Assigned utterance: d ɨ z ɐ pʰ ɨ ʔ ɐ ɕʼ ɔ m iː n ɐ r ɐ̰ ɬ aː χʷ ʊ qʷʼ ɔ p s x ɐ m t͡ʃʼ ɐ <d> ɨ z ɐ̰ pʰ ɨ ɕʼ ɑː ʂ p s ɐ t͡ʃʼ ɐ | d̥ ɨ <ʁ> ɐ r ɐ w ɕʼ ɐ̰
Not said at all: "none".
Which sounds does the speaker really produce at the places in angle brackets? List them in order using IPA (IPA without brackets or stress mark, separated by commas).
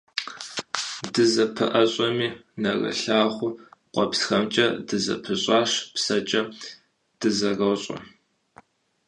d, z